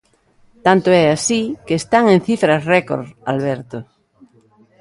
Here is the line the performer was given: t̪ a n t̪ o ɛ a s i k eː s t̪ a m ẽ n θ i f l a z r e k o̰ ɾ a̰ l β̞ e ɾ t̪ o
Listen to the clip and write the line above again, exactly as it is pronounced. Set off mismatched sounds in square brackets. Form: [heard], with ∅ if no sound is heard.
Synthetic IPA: t̪ a n t̪ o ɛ a s i k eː s t̪ a [ŋ] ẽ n θ i f [ɾ] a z r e k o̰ ɾ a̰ l β̞ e ɾ t̪ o

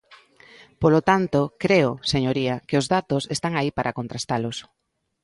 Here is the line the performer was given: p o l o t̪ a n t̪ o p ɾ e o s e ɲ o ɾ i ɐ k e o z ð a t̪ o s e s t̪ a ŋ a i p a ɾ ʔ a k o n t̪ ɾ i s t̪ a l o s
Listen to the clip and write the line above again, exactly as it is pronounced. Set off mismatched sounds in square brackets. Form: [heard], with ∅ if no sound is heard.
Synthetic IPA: p o l o t̪ a n t̪ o [k] ɾ e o s e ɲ o ɾ i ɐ k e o z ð a t̪ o s e s t̪ a ŋ a i p a ɾ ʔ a k o n t̪ ɾ [a] s t̪ a l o s

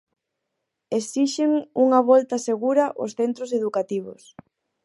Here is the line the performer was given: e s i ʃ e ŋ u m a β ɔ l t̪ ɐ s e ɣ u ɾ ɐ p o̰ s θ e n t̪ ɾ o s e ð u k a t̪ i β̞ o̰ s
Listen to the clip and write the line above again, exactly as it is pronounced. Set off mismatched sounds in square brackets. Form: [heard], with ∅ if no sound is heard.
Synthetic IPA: e s i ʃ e ŋ u [ŋ] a β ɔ l t̪ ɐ s e ɣ u ɾ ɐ [ʔ] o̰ s θ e n t̪ ɾ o s e ð u k a t̪ i β̞ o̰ s

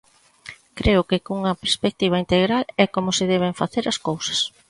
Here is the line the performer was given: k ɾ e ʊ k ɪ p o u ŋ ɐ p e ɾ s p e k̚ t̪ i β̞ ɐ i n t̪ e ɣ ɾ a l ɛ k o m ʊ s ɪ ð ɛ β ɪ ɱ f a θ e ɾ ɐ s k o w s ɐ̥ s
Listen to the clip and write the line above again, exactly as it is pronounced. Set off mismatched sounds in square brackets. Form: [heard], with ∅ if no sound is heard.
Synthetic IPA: k ɾ e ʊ k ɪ [k] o u ŋ ɐ p e ɾ s p e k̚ t̪ i β̞ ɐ i n t̪ e ɣ ɾ a l ɛ k o m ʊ s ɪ ð ɛ β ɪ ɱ f a θ e ɾ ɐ s k o w s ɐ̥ s

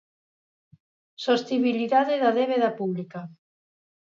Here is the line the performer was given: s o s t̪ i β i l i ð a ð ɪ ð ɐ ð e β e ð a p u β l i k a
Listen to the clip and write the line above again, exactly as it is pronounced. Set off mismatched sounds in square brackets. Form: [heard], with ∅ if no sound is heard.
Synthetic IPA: s o s t̪ i β i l i ð a ð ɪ ð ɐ ð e β e ð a p u β l i k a

